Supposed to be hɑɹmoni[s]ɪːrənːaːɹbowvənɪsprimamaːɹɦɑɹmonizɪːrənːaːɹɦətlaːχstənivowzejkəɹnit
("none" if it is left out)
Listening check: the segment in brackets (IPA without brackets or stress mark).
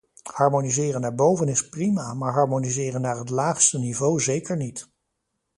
z